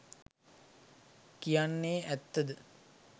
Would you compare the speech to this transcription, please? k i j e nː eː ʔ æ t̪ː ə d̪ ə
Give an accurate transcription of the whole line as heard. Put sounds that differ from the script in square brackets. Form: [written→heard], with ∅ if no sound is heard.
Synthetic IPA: k i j [e→a] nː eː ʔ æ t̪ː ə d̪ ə